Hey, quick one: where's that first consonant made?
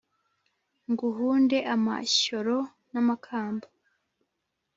velum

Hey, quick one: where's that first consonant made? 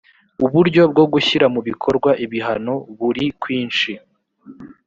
lips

